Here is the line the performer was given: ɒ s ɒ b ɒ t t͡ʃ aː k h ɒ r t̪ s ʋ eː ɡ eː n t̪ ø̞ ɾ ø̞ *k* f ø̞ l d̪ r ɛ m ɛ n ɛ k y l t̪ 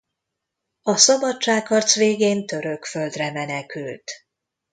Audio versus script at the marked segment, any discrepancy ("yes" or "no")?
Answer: no